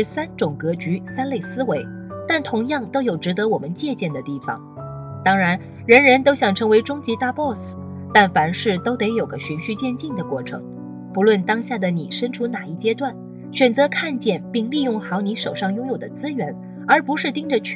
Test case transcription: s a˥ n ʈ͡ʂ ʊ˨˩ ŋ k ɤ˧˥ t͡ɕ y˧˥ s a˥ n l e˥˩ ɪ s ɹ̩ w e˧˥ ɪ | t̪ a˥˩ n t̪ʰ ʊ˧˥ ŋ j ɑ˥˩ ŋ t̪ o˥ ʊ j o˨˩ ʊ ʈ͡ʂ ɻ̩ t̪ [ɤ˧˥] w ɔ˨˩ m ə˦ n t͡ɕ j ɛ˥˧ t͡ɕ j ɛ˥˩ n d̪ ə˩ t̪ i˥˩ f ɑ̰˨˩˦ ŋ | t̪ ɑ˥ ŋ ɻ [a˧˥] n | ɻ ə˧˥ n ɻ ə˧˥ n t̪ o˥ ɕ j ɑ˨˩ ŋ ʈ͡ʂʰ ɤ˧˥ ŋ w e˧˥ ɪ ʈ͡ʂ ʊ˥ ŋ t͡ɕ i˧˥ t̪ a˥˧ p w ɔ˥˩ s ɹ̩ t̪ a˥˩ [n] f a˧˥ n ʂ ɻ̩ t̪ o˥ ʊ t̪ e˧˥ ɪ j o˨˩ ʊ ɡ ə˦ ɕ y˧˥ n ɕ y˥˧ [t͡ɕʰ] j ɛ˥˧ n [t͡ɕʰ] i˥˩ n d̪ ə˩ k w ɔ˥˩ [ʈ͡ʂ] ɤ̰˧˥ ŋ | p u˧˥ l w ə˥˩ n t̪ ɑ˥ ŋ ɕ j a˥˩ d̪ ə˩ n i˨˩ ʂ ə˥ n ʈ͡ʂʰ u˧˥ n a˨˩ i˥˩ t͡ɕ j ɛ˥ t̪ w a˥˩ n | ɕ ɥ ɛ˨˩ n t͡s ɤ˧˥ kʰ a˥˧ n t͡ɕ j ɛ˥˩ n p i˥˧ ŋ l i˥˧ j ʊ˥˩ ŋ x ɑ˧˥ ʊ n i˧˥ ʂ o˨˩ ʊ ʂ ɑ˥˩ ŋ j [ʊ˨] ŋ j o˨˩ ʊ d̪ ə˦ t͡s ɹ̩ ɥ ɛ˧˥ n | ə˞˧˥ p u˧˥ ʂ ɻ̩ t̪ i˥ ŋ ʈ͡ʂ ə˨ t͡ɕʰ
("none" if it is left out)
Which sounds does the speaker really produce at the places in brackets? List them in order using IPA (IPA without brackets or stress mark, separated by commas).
ɤ˧˥, a˧˥, n, t͡ɕ, t͡ɕ, ʈ͡ʂʰ, ʊ˥